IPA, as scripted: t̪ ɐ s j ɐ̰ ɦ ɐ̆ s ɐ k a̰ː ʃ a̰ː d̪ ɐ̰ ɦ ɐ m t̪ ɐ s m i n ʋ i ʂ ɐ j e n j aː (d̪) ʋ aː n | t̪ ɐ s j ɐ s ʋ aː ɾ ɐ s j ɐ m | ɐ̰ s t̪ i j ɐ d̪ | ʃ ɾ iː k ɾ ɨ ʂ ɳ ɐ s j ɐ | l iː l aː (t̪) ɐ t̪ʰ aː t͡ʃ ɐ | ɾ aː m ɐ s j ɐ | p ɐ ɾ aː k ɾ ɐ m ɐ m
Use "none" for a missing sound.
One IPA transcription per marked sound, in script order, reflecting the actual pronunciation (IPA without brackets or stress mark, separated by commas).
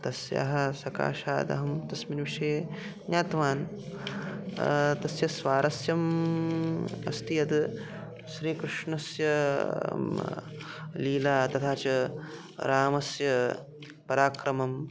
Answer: t̪, t̪